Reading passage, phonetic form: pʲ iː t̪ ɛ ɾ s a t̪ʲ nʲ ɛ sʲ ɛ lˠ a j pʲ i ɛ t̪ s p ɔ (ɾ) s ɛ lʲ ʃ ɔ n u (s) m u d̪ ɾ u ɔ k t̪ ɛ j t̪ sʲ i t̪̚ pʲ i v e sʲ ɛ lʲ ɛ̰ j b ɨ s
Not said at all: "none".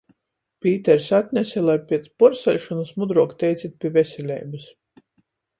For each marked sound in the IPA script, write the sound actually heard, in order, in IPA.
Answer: ɾ, s

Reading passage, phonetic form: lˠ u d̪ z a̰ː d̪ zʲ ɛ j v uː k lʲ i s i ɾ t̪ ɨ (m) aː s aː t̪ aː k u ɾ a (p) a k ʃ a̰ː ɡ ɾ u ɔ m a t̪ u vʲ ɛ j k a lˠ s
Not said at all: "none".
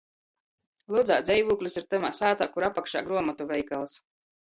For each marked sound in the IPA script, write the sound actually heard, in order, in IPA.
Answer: m, p

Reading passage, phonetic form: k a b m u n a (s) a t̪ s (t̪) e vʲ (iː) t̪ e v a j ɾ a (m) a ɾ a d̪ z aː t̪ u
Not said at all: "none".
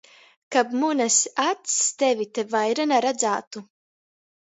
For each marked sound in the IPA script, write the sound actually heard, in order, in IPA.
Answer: s, t̪, i, n

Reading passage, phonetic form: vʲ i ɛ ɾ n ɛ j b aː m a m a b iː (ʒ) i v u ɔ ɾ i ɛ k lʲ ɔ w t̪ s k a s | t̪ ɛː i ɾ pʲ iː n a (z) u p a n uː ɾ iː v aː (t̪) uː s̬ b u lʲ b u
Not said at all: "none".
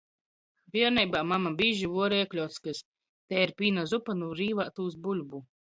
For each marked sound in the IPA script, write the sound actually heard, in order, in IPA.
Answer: ʒ, z, t̪

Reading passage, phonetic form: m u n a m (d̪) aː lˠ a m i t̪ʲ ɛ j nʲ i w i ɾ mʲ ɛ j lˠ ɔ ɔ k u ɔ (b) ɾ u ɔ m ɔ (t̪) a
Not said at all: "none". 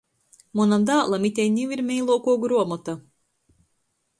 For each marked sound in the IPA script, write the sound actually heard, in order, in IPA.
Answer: d̪, ɡ, t̪

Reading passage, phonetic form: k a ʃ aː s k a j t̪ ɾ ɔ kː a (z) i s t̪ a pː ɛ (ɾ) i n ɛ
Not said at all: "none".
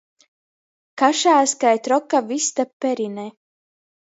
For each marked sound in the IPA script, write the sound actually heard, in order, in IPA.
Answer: v, ɾ

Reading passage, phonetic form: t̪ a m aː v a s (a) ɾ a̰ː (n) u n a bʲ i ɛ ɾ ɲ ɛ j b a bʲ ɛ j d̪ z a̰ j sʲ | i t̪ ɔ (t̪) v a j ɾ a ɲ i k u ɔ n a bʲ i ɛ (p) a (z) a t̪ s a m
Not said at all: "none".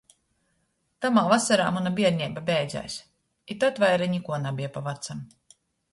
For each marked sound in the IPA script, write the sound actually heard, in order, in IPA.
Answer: a, m, t̪, p, v

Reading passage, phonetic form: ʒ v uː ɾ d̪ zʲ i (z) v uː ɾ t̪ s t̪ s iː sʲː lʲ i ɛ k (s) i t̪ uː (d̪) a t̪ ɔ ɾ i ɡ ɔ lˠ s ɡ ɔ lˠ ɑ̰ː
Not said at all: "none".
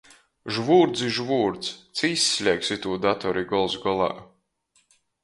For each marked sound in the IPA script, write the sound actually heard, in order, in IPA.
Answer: ʒ, s, d̪

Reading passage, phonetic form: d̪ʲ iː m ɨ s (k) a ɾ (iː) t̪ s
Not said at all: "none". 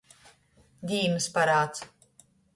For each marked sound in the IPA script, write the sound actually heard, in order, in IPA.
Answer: p, aː

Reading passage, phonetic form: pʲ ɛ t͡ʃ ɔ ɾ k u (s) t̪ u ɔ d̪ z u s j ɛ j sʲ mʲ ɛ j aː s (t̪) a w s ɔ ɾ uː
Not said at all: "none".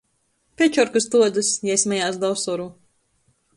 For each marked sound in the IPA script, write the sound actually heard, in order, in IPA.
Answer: s, d̪

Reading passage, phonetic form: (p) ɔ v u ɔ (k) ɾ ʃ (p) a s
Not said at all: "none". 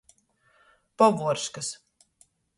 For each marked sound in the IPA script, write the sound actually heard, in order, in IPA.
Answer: p, none, k

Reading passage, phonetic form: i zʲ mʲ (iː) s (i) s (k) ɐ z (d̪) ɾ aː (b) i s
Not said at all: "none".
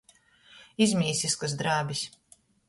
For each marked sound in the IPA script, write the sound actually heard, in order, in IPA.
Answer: iː, i, k, d̪, b

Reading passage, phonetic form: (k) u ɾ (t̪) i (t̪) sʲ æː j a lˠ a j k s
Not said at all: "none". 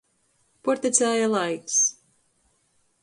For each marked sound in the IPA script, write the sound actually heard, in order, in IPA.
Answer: p, t̪, t̪

